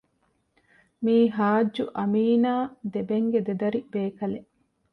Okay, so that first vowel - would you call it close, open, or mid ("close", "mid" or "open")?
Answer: close